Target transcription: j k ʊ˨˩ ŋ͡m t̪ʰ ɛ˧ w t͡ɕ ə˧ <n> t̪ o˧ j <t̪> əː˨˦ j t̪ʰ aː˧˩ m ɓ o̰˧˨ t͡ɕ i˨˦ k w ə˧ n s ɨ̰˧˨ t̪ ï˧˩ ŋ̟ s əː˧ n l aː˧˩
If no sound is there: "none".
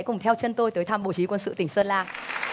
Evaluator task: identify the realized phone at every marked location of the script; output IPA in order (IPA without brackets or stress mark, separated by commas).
n, t̪